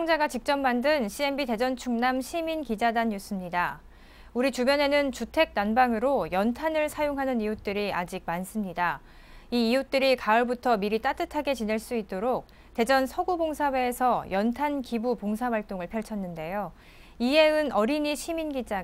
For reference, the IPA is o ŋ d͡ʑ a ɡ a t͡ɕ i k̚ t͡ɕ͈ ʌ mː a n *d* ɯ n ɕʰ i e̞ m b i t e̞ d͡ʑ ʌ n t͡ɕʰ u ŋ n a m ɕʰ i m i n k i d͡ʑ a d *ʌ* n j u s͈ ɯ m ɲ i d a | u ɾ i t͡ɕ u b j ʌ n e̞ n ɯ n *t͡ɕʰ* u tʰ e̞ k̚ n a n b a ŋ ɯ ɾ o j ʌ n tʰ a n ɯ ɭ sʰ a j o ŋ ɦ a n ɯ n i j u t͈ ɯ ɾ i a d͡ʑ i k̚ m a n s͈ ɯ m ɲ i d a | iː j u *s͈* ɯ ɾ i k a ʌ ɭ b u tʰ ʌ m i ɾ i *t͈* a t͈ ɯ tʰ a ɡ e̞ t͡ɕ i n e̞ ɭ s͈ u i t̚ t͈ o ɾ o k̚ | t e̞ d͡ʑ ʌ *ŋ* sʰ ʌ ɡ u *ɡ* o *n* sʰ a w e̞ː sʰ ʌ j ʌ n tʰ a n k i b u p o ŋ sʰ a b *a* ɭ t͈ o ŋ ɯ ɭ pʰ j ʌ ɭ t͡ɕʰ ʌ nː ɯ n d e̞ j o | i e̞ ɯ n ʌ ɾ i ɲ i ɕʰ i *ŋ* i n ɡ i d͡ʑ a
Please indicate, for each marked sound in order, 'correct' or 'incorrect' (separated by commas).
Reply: correct, incorrect, incorrect, incorrect, correct, incorrect, incorrect, incorrect, correct, incorrect